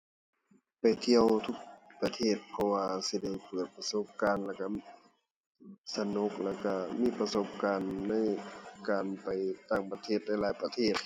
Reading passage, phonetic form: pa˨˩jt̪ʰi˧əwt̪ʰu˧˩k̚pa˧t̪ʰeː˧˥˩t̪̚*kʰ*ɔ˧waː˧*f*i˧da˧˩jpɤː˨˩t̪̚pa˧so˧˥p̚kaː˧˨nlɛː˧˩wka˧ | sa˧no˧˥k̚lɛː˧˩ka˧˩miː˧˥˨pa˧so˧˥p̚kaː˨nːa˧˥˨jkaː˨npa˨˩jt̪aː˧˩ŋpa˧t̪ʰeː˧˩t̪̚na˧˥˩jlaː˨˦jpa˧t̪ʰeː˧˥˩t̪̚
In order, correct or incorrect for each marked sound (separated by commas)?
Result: incorrect, incorrect